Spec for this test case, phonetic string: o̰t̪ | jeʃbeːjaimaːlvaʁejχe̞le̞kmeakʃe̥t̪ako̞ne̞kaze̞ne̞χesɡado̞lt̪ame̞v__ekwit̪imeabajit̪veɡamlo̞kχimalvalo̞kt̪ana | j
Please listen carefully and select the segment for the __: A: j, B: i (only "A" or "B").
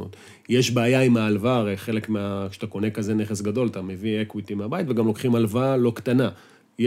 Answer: B